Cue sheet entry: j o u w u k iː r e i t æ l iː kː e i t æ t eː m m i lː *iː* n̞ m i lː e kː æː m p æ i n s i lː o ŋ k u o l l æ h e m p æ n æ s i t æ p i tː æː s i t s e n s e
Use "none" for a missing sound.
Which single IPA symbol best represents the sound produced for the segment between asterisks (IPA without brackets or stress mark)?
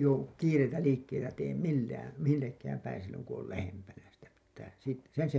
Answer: æː